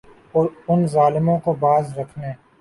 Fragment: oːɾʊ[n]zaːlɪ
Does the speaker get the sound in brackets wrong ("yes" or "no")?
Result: no